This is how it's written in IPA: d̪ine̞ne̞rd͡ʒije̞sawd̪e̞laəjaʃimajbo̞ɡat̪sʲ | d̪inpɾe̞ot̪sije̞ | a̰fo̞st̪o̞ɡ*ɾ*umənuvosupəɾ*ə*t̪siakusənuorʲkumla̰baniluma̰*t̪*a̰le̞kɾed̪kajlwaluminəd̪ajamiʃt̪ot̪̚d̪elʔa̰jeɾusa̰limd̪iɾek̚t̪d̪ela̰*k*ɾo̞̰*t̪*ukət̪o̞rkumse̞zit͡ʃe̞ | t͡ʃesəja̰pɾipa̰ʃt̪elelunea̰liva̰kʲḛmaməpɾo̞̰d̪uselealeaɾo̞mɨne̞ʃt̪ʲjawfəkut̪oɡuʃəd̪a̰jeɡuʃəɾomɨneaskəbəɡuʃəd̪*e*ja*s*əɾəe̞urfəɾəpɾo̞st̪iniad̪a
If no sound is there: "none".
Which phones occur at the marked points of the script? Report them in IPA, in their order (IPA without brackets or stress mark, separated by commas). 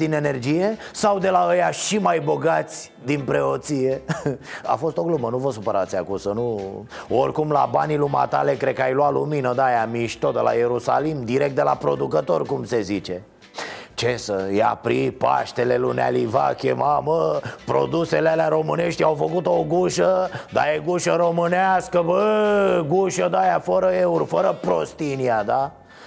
l, a, t̪, p, d̪, a, f